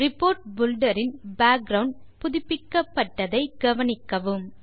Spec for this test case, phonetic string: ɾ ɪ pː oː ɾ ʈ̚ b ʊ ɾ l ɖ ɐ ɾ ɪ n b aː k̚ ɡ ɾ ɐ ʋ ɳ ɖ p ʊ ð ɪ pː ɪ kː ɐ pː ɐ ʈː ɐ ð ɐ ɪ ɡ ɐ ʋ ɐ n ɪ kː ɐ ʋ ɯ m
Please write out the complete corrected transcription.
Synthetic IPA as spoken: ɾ ɪ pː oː ɾ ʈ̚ b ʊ l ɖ ɐ ɾ ɪ n b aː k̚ ɡ ɾ ɐ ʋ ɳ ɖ p ʊ ð ɪ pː ɪ kː ɐ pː ɐ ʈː ɐ ð ɐ ɪ ɡ ɐ ʋ ɐ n ɪ kː ɐ ʋ ɯ m